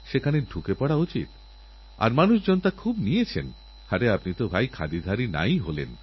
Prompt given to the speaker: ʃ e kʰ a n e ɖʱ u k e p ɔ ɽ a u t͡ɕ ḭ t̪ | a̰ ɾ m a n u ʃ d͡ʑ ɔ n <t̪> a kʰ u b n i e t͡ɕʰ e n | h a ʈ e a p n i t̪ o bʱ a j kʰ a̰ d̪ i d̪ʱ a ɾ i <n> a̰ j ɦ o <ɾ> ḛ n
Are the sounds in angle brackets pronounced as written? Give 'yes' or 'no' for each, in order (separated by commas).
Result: yes, yes, no